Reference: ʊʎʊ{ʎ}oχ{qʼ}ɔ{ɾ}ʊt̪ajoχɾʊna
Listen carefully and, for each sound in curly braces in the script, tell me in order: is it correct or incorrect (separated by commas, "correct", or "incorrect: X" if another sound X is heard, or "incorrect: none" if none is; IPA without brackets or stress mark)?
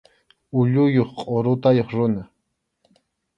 incorrect: j, correct, correct